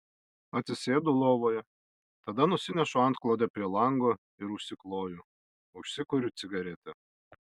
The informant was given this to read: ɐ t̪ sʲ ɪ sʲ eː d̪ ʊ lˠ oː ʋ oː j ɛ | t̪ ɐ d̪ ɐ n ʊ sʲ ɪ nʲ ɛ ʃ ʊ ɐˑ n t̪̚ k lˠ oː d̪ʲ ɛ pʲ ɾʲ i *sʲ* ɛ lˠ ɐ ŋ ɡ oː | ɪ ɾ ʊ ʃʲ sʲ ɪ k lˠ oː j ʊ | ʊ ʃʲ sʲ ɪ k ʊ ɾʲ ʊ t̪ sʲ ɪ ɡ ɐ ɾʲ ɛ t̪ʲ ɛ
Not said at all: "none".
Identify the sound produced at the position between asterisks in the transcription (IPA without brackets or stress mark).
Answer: none